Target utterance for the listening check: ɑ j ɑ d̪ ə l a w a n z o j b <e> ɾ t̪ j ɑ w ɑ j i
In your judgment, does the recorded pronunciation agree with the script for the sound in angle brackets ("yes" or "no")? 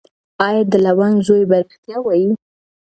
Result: no